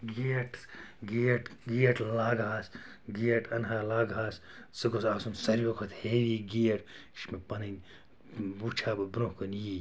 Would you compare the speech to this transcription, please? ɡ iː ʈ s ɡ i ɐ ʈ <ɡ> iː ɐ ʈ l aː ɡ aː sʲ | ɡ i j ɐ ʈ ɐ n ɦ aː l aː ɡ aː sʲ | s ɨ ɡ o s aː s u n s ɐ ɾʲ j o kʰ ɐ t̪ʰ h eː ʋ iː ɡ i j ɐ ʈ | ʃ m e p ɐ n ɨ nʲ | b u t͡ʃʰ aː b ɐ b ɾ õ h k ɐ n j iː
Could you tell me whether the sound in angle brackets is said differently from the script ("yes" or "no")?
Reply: no